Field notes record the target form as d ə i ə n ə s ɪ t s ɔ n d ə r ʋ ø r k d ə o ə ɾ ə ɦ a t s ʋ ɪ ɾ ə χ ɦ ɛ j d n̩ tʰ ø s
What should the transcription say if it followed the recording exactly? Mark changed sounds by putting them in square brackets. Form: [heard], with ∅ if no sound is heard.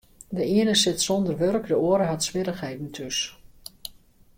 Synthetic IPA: d ə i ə n ə s ɪ t s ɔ n d ə r ʋ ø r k d ə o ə ɾ ə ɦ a t s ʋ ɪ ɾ ə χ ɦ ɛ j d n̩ tʰ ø s